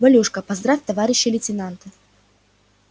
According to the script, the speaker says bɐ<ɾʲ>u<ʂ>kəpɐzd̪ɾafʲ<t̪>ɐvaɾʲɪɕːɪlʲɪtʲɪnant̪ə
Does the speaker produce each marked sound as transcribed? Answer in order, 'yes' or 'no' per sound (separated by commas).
no, yes, yes